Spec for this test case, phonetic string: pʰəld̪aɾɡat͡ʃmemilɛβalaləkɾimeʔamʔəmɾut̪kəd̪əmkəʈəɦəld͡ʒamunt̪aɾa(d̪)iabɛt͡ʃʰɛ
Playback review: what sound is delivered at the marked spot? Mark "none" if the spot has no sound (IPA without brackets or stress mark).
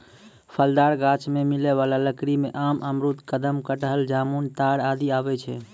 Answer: d̪